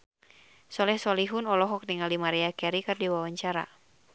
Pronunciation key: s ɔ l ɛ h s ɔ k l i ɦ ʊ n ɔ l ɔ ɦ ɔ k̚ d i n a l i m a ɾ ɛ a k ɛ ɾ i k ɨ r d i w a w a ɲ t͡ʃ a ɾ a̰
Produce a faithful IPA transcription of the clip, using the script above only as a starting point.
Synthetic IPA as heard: s ɔ l ɛ h s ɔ l i ɦ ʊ n ɔ l ɔ ɦ ɔ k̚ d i ŋ a l i m a ɾ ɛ a k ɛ ɾ i k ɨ r d i w a w a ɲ t͡ʃ a ɾ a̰